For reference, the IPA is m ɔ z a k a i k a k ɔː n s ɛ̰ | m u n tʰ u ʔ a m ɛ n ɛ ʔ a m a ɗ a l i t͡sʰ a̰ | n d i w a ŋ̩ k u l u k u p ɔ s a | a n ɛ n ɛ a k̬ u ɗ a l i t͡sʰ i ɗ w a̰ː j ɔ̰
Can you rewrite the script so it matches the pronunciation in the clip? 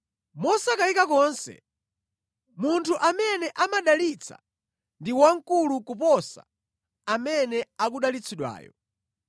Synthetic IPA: m ɔ s a k a i k a k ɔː n s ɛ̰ | m u n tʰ u ʔ a m ɛ n ɛ ʔ a m a ɗ a l i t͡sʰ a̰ | n d i w a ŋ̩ k u l u k u p ɔ s a | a m ɛ n ɛ a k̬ u ɗ a l i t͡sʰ i ɗ w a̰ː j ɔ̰